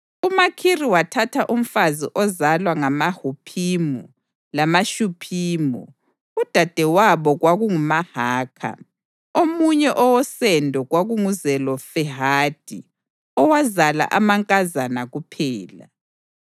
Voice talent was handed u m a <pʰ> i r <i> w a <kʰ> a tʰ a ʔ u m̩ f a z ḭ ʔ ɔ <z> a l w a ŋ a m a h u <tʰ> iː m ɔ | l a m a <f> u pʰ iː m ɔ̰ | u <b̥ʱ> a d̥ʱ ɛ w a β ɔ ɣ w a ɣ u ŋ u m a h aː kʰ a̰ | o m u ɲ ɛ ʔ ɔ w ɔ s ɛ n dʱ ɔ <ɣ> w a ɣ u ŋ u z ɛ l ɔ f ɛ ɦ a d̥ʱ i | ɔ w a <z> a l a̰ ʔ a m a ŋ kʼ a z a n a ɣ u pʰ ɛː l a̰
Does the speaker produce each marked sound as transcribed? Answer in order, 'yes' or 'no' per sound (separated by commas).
no, yes, no, yes, no, no, no, yes, yes